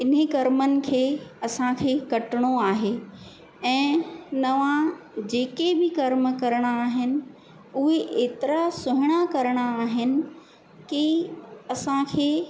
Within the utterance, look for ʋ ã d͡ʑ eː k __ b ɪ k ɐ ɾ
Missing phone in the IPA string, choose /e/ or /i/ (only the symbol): e